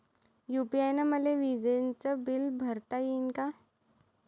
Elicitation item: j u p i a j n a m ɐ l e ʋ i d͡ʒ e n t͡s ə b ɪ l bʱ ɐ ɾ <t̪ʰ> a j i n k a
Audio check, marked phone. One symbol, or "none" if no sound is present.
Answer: t̪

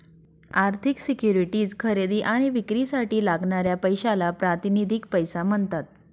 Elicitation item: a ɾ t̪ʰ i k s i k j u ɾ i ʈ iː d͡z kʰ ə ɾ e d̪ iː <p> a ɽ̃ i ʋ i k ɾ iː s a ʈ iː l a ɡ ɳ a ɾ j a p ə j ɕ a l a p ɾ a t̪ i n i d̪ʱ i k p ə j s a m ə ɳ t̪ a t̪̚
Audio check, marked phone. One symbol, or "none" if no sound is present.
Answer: ʔ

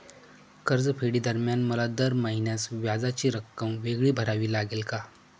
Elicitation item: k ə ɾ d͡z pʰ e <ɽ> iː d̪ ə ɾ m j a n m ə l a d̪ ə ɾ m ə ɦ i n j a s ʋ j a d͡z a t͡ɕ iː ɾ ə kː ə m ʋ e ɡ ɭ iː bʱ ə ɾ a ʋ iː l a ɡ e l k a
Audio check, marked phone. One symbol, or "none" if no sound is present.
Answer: ɽ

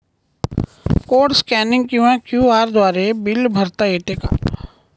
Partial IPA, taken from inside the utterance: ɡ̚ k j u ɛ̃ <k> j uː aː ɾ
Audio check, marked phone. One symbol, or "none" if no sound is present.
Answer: k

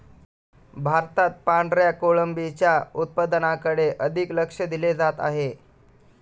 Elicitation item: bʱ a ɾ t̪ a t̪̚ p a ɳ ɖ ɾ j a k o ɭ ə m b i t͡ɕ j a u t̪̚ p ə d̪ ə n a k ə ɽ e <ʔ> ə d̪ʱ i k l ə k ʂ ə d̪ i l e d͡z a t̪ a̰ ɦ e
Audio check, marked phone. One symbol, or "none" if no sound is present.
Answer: ʔ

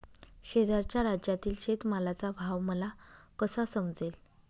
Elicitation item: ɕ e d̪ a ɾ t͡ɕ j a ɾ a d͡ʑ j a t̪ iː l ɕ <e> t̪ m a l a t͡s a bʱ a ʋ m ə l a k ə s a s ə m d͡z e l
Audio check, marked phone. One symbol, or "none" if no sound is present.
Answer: e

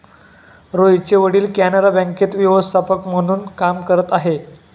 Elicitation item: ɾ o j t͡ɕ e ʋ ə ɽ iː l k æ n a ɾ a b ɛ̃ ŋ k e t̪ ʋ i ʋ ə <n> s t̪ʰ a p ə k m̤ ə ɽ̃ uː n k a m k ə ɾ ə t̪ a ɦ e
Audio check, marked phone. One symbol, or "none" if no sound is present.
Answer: none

